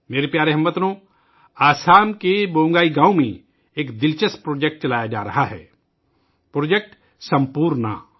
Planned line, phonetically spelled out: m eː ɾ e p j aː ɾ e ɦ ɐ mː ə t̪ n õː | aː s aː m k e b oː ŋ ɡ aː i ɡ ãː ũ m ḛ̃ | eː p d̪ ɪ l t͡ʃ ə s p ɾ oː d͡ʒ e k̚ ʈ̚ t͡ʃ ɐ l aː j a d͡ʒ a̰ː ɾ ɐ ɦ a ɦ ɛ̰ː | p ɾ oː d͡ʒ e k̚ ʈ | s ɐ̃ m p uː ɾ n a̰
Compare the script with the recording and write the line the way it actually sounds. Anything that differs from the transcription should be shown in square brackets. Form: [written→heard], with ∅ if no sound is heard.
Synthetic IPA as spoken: m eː ɾ e p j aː ɾ e ɦ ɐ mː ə t̪ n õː | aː s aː m k e b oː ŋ ɡ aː i ɡ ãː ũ m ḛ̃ | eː [p→k] d̪ ɪ l t͡ʃ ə s p ɾ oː d͡ʒ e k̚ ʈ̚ t͡ʃ ɐ l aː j a d͡ʒ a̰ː ɾ ɐ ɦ a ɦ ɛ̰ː | p ɾ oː d͡ʒ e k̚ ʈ | s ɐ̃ m p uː ɾ n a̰

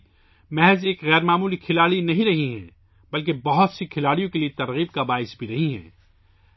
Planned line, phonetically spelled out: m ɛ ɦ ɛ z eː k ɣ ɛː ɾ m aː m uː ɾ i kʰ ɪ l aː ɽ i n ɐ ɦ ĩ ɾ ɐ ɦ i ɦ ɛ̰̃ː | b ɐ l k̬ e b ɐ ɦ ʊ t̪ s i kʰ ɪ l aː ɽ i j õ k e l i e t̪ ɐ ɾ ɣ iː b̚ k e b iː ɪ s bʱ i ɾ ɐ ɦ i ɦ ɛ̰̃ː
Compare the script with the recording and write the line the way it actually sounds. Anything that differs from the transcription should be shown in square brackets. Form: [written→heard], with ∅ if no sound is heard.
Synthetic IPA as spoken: m ɛ ɦ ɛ z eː k ɣ ɛː ɾ m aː m uː [ɾ→l] i kʰ ɪ l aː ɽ i n ɐ ɦ ĩ ɾ ɐ ɦ i ɦ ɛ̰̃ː | b ɐ l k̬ e b ɐ ɦ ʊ t̪ s i kʰ ɪ l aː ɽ i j õ k e l i e t̪ ɐ ɾ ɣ iː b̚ k [e→a] b [iː→aː] ɪ s bʱ i ɾ ɐ ɦ i ɦ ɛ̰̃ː

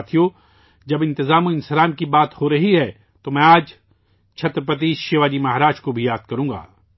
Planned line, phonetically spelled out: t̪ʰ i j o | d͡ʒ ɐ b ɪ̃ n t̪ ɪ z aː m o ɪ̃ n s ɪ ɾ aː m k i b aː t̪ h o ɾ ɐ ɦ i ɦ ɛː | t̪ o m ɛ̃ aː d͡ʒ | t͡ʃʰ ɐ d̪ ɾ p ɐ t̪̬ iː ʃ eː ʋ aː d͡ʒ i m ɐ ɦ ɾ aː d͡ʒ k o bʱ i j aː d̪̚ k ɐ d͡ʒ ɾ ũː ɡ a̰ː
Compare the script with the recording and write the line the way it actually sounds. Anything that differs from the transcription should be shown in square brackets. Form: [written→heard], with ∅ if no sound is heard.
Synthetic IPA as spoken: t̪ʰ i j o | d͡ʒ ɐ b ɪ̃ n t̪ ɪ z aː m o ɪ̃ n s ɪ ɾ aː m k i b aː t̪ h o ɾ ɐ ɦ i ɦ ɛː | t̪ o m ɛ̃ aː d͡ʒ | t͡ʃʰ ɐ [d̪→t̪] ɾ p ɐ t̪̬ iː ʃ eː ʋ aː d͡ʒ i m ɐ ɦ ɾ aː d͡ʒ k o bʱ i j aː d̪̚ k ɐ [d͡ʒ→∅] ɾ ũː ɡ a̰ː

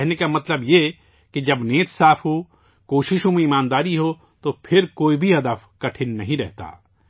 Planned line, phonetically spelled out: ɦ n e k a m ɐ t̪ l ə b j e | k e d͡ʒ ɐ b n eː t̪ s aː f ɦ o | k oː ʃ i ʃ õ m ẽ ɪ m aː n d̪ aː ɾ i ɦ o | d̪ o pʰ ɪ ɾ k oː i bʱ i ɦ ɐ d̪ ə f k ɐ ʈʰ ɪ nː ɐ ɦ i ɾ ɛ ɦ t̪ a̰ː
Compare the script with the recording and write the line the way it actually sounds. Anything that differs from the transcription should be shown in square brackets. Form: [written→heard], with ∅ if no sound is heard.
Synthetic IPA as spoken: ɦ n e k a m ɐ t̪ l ə b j e | k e d͡ʒ ɐ b n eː t̪ s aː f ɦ o | k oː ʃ [i→ɪ] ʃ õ m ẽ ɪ m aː n d̪ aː ɾ i ɦ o | [d̪→t̪] o pʰ ɪ ɾ k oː i bʱ i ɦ ɐ d̪ ə f k ɐ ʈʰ ɪ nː ɐ ɦ [i→ĩ] ɾ ɛ ɦ t̪ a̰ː

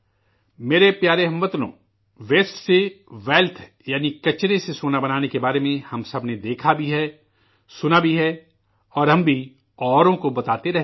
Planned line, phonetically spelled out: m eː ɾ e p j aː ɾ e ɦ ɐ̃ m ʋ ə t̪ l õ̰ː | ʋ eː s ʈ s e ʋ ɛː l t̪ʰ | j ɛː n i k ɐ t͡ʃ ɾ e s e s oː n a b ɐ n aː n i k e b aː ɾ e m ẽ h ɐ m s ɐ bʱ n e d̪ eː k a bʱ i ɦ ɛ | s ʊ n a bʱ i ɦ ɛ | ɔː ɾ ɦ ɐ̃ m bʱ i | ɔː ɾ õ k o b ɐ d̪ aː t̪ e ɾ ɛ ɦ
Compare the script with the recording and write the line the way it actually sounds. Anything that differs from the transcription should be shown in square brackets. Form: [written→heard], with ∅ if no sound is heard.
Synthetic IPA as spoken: m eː ɾ e p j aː ɾ e ɦ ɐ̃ m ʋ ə t̪ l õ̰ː | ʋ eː s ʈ s e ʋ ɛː l t̪ʰ | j [ɛː→aː] n i k ɐ t͡ʃ ɾ e s e s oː n a b ɐ n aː n [i→e] k e b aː ɾ e m ẽ h ɐ m s ɐ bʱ n e d̪ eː [k→kʰ] a bʱ i ɦ ɛ | s ʊ n a bʱ i ɦ ɛ | ɔː ɾ ɦ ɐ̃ m bʱ i | ɔː ɾ õ k o b ɐ [d̪→t̪] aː t̪ e ɾ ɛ ɦ

